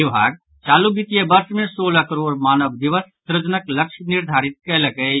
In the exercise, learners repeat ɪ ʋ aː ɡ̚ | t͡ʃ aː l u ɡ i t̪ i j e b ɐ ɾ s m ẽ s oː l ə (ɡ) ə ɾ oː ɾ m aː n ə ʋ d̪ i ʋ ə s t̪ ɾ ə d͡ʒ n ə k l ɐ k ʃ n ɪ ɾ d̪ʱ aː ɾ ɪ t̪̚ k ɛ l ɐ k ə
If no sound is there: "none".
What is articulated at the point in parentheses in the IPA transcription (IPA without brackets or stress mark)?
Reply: k